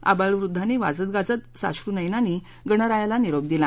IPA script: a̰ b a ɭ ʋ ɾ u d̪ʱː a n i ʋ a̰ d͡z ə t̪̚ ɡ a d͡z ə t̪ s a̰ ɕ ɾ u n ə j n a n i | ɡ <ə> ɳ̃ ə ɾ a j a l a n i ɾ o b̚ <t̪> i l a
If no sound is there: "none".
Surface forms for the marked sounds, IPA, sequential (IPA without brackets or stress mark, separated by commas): ə, d̪